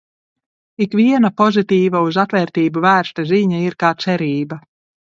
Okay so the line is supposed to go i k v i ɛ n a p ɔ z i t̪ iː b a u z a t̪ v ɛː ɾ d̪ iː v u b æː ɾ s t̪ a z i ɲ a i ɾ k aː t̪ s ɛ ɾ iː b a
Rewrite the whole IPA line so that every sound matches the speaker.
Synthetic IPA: i k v i ɛ n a p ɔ z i t̪ iː v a u z a t̪ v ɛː ɾ t̪ iː b u v æː ɾ s t̪ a z i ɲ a i ɾ k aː t̪ s ɛ ɾ iː b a